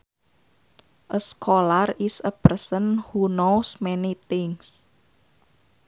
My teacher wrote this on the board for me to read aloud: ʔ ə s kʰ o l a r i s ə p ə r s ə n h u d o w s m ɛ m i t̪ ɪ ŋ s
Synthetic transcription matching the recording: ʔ ə s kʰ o l a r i s ə p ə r s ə n h u n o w s m ɛ n i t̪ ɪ ŋ s